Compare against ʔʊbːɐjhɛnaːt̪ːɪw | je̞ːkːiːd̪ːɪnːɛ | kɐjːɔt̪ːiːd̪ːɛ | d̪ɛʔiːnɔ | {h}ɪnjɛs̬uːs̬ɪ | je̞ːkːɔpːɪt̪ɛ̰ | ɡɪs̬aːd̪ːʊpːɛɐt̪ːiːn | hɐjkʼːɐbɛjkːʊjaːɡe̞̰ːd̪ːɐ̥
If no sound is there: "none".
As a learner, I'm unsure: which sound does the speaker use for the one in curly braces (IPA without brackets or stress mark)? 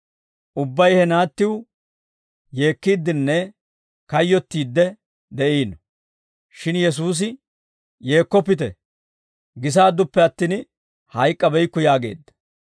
ʃ